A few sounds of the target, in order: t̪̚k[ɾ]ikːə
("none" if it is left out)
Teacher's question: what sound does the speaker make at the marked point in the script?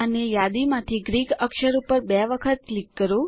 l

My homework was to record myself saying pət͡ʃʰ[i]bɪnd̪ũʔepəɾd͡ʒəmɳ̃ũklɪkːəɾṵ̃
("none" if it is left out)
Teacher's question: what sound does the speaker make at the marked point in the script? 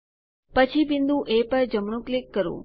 i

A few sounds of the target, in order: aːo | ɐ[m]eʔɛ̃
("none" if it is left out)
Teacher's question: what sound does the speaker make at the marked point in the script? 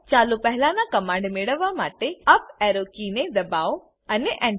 n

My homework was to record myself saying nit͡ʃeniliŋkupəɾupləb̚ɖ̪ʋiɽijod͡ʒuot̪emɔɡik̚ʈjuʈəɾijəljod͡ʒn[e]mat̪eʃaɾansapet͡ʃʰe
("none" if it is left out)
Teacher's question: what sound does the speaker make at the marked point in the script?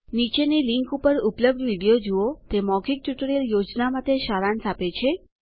a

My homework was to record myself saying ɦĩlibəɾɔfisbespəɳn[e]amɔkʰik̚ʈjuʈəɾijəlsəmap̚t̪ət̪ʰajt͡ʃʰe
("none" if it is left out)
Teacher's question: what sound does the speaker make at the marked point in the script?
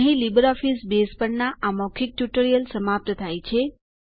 a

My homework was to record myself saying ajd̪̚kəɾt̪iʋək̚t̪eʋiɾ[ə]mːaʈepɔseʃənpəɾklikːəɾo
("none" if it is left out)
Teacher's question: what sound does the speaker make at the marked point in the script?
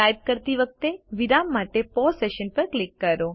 a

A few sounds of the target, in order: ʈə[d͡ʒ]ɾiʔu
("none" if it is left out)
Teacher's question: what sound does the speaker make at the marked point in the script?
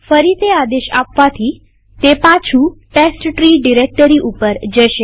none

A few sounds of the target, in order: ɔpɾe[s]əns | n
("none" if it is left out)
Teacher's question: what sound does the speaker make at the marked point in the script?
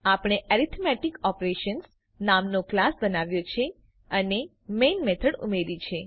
ʃ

